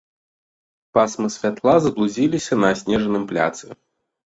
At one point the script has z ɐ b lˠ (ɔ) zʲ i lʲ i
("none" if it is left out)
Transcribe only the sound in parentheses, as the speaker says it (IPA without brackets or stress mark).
u